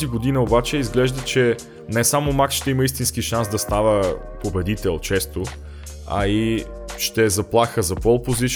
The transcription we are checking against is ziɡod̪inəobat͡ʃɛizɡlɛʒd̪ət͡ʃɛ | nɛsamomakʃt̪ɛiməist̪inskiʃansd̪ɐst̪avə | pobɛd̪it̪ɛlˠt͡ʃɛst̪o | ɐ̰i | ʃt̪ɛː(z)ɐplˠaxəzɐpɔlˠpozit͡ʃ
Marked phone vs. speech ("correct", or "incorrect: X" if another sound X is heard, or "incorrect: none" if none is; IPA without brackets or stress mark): correct